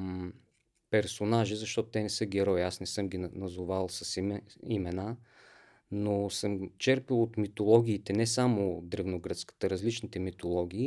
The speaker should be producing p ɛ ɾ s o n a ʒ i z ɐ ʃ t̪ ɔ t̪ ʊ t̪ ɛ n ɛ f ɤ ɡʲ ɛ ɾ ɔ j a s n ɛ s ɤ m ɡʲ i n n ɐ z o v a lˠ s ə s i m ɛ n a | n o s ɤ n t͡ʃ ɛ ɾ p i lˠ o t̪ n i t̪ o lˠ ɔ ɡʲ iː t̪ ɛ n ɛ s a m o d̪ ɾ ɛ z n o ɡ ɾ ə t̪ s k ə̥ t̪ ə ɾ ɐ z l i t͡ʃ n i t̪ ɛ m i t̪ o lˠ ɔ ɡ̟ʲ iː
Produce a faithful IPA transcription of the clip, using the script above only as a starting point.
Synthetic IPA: p ɛ ɾ s o n a ʒ i z ɐ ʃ t̪ ɔ t̪ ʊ t̪ ɛ n ɛ s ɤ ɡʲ ɛ ɾ ɔ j a s n ɛ s ɤ m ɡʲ i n n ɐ z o v a lˠ s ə s i m ɛ n a | n o s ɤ m t͡ʃ ɛ ɾ p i lˠ o t̪ m i t̪ o lˠ ɔ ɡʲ iː t̪ ɛ n ɛ s a m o d̪ ɾ ɛ v n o ɡ ɾ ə t̪ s k ə̥ t̪ ə ɾ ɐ z l i t͡ʃ n i t̪ ɛ m i t̪ o lˠ ɔ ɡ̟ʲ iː